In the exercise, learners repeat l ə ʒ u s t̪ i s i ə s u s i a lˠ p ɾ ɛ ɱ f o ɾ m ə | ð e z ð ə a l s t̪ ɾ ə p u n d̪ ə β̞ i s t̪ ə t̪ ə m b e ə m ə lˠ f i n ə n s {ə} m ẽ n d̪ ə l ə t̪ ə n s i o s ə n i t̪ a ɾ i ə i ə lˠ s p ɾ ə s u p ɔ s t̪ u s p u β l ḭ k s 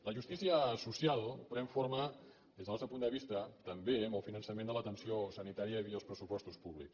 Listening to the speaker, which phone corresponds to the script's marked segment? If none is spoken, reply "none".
ə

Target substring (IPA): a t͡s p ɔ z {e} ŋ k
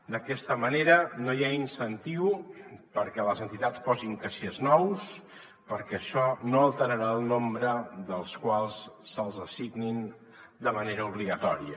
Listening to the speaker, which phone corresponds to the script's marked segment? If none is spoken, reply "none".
i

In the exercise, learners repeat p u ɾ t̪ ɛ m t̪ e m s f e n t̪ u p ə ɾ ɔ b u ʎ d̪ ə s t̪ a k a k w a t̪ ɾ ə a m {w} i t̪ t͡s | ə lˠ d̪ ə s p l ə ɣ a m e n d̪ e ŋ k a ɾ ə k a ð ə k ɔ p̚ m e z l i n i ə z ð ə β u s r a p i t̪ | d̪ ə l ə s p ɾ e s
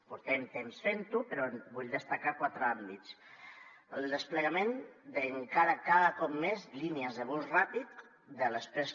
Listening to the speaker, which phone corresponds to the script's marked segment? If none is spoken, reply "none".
b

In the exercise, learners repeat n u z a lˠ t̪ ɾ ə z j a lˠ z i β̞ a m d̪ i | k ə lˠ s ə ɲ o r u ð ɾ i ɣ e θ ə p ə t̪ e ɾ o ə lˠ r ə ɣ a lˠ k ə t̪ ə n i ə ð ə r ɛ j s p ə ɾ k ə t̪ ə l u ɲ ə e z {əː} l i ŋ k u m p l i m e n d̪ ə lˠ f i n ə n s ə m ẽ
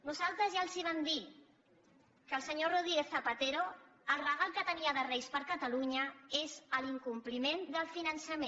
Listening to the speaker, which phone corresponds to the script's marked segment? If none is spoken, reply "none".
ə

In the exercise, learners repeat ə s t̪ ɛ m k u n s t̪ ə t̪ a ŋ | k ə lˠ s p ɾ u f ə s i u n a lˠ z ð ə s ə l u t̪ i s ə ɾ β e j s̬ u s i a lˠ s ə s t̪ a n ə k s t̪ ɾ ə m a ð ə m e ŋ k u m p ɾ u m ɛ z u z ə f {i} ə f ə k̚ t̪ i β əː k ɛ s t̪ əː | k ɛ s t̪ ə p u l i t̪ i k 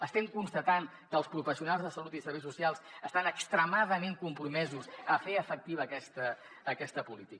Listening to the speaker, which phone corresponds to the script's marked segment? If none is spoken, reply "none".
e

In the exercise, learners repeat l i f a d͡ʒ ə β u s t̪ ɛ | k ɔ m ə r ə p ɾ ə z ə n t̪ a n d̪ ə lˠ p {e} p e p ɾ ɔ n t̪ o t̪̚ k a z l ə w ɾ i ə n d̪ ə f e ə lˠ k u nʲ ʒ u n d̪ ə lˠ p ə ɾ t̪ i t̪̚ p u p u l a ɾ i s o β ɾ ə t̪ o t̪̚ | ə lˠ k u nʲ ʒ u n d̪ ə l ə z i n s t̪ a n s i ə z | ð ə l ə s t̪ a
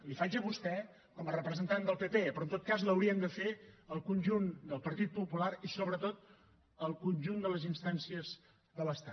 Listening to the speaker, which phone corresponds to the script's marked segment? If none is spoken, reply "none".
e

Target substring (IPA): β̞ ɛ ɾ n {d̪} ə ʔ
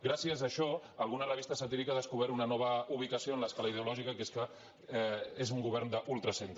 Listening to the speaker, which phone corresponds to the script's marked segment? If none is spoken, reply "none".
d̪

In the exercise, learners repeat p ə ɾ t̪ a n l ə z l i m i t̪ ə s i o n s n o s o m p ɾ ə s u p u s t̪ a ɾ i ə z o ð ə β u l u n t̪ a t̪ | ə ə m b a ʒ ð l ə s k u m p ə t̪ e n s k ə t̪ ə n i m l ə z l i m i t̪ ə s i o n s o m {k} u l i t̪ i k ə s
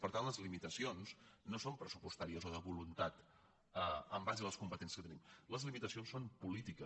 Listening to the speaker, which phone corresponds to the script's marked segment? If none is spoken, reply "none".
p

